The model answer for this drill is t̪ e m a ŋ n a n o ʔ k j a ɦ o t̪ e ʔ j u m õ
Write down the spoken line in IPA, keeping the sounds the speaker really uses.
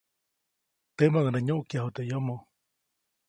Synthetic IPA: t̪ e m a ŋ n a ɲ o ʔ k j a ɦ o t̪ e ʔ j o m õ